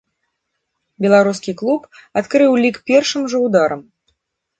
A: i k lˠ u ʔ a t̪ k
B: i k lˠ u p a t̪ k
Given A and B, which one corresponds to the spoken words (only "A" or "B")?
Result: B